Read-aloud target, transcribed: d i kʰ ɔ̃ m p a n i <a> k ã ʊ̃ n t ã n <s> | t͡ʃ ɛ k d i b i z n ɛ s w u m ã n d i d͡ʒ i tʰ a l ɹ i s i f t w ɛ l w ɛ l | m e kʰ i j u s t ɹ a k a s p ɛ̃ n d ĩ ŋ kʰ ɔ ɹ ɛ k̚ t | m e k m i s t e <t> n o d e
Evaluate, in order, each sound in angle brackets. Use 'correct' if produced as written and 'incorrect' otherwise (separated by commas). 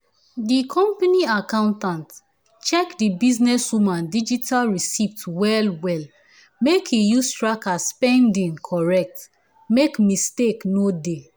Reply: correct, incorrect, incorrect